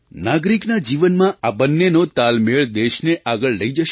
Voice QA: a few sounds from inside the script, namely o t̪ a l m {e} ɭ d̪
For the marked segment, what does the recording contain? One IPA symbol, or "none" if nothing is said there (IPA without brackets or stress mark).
e